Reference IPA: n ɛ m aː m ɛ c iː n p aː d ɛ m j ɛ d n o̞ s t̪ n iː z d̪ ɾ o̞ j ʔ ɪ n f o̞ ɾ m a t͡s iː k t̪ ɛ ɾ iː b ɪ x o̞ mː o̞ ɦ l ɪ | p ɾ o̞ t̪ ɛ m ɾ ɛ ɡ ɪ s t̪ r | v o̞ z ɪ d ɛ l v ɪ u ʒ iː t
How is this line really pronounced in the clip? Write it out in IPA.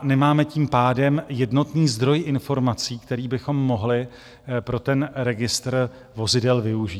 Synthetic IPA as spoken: n ɛ m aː m ɛ c iː m p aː d ɛ m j ɛ d n o̞ t̪ n iː z d̪ ɾ o̞ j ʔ ɪ n f o̞ ɾ m a t͡s iː k t̪ ɛ ɾ iː b ɪ x o̞ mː o̞ ɦ l ɪ | p ɾ o̞ t̪ ɛ n ɾ ɛ ɡ ɪ s t̪ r | v o̞ z ɪ d ɛ l v ɪ u ʒ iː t